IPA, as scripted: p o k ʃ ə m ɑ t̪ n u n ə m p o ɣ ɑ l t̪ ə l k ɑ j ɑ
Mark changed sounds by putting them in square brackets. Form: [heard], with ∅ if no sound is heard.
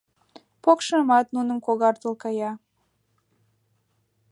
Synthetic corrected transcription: p o k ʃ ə m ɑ t̪ n u n ə m [k] o ɣ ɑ [r] t̪ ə l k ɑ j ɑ